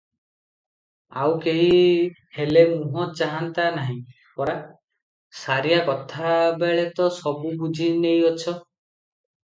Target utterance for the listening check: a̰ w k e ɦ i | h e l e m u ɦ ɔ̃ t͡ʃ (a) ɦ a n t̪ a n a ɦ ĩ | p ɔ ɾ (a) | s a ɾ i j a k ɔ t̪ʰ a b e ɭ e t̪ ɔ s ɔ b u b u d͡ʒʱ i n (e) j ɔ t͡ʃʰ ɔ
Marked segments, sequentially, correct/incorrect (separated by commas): correct, correct, correct